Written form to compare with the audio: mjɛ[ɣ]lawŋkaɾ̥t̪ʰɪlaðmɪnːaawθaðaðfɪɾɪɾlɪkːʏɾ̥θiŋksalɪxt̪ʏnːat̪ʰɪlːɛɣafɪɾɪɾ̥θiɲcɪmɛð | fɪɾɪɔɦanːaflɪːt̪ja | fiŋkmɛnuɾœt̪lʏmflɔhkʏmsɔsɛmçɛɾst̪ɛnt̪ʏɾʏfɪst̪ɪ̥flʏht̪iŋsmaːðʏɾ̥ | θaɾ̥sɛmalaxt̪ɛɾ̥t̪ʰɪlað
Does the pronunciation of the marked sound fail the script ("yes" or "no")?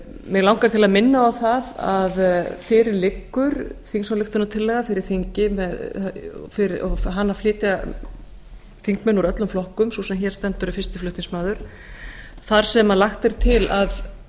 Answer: no